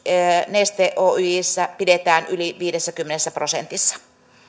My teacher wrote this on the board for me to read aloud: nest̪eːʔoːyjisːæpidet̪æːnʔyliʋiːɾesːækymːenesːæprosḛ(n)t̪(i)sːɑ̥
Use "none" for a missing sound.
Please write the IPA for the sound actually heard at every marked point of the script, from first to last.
n, i

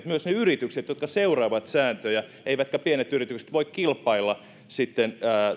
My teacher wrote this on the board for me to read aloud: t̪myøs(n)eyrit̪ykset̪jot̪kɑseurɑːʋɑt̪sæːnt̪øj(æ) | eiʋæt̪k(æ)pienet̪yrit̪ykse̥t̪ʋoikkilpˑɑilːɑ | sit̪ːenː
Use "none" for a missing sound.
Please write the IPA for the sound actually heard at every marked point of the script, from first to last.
n, æ, æ

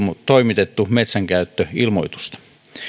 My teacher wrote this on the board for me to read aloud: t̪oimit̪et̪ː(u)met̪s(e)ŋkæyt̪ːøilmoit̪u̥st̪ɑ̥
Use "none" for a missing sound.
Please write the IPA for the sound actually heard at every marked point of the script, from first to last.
u, æ

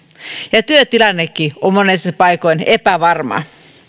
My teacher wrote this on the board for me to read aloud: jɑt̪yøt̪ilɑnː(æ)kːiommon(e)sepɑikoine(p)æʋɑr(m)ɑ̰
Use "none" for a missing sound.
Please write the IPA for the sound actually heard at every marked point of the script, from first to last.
e, e, p, m

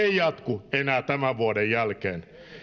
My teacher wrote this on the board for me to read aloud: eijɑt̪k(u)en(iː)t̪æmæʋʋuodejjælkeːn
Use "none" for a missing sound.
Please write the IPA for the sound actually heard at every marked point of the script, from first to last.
u, æː

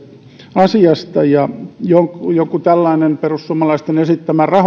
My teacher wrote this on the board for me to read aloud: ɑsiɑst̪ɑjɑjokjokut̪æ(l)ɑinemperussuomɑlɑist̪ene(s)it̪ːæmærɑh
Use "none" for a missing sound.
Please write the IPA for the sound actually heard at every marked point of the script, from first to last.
lː, s

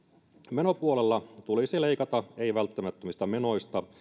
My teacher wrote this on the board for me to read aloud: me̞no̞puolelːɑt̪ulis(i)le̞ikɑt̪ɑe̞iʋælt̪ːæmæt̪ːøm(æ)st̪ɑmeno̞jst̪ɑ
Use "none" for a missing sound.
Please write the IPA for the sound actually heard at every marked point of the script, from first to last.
i, i

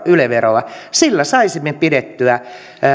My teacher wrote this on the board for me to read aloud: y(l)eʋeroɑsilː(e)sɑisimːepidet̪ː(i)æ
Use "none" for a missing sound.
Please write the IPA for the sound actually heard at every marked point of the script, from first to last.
l, æ, y

